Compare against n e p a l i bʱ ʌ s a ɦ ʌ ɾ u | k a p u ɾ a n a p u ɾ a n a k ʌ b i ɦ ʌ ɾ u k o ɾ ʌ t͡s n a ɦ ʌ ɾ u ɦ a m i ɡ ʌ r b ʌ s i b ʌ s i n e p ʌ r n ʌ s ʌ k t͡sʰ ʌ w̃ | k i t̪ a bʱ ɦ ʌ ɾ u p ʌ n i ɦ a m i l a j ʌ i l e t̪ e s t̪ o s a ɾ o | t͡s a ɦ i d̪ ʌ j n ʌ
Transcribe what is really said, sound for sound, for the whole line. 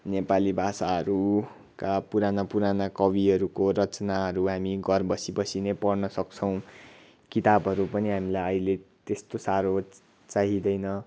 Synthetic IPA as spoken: n e p a l i bʱ a s a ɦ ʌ ɾ u | k a p u ɾ a n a p u ɾ a n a k ʌ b i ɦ ʌ ɾ u k o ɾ ʌ t͡s n a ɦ ʌ ɾ u ɦ a m i ɡ ʌ r b ʌ s i b ʌ s i n e p ʌ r n ʌ s ʌ k t͡sʰ ʌ w̃ | k i t̪ a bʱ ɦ ʌ ɾ u p ʌ n i ɦ a m i l a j ʌ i l e t̪ e s t̪ o s a ɾ o | t͡s a ɦ i d̪ ʌ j n ʌ